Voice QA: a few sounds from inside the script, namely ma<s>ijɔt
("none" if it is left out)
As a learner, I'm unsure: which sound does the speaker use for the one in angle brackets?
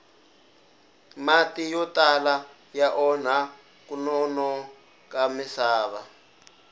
t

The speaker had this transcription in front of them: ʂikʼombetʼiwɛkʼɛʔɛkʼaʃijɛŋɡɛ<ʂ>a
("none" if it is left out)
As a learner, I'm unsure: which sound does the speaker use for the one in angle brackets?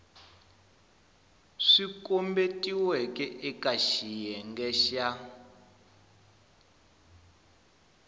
ʃ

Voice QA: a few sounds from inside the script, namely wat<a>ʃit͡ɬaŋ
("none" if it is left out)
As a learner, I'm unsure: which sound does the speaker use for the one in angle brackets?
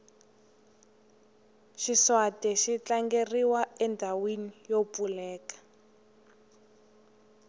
ɛ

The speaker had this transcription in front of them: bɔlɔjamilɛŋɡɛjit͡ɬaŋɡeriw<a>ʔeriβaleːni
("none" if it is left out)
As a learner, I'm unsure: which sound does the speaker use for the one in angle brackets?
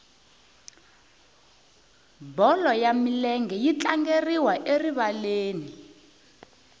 a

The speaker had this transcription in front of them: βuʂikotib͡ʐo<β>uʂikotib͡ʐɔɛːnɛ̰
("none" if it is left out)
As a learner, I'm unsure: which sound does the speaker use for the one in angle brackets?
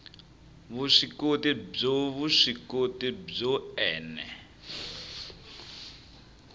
β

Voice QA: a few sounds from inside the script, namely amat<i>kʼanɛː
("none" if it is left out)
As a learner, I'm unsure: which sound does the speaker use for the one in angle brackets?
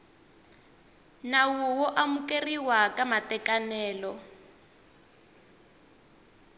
ɛ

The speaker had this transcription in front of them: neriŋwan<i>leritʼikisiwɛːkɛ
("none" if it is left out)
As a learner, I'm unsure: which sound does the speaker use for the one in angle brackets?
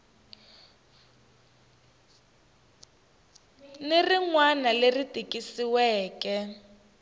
a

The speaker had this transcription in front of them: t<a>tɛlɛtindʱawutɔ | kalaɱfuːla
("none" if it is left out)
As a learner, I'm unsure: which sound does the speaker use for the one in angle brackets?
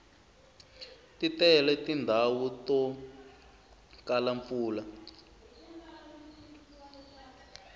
i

